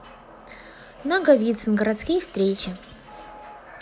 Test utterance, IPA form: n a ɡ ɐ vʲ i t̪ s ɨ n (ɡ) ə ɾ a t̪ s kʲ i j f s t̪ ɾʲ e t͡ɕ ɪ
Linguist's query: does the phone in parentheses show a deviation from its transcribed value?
no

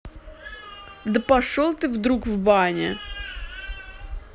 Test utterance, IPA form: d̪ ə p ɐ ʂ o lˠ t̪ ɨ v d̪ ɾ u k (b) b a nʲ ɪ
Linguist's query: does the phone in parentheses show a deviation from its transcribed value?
yes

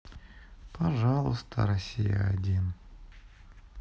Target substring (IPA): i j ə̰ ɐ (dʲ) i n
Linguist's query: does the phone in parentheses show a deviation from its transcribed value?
no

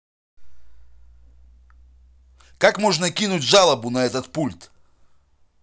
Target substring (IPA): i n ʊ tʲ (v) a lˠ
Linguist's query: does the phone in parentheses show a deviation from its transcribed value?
yes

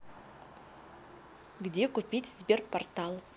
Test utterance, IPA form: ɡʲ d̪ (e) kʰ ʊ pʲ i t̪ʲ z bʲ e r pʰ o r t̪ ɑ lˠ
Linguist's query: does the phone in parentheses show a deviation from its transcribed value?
no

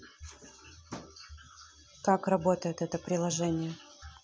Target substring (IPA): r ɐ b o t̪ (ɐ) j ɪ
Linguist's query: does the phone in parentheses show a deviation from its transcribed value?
yes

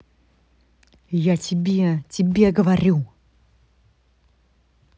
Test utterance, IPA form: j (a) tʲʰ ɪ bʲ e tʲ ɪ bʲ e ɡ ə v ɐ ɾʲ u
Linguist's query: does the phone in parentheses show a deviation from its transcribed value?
no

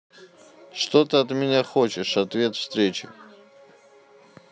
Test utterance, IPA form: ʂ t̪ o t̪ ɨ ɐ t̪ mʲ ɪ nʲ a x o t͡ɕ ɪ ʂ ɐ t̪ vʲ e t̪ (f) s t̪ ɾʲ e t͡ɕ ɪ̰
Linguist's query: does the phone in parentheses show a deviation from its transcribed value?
no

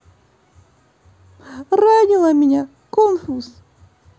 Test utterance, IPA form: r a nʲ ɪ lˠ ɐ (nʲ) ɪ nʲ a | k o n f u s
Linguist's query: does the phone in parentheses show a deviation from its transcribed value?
yes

